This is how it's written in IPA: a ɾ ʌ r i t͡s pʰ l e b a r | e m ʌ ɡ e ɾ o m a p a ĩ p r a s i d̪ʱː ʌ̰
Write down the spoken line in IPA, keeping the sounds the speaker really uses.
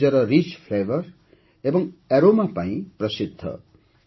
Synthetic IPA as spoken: ʌ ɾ ʌ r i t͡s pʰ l e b ʌ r | e b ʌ ŋ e ɾ o m a p a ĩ p r ʌ s i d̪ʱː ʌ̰